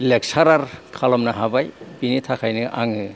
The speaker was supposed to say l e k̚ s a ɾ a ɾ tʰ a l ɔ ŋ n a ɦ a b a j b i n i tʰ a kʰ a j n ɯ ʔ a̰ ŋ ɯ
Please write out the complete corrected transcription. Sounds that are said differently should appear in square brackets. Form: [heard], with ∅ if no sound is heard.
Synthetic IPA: l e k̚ s a ɾ a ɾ [kʰ] a l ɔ [m] n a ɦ a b a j b i n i tʰ a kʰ a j n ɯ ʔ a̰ ŋ ɯ